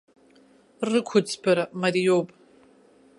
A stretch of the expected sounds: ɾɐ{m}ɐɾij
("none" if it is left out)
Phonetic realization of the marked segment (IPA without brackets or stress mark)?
m